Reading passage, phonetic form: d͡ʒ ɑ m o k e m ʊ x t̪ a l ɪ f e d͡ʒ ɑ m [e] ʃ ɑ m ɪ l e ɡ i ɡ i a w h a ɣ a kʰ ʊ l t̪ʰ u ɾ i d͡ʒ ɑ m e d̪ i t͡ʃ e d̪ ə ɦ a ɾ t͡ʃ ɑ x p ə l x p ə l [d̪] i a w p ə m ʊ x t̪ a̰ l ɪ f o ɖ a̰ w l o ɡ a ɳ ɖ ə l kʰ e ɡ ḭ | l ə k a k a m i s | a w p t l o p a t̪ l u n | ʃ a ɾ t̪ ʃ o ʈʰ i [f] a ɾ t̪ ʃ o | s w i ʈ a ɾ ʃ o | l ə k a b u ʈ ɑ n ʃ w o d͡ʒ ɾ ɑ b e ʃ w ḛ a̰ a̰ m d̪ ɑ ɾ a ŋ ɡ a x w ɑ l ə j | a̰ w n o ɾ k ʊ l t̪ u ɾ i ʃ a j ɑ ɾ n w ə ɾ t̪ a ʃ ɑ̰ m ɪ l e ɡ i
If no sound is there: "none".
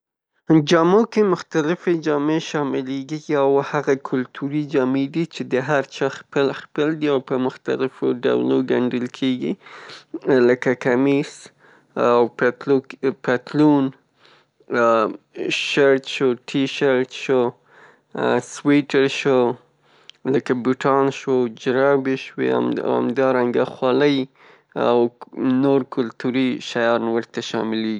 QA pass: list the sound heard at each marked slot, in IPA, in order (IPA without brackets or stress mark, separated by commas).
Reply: e, d̪, ʃ